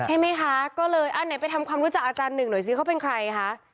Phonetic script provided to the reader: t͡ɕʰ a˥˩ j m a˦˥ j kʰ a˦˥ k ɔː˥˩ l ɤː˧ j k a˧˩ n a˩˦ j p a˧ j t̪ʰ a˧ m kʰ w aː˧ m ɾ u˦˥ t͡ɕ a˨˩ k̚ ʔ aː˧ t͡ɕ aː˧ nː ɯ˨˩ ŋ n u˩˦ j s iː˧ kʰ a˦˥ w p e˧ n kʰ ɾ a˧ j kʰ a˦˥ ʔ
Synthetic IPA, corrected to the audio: t͡ɕʰ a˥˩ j m a˦˥ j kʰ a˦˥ k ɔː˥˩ l ɤː˧ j ʔ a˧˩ n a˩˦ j p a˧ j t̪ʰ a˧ m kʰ w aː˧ m ɾ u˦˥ t͡ɕ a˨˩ k̚ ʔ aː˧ t͡ɕ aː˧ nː ɯ˨˩ ŋ n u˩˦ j s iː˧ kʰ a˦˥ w p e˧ n kʰ ɾ a˧ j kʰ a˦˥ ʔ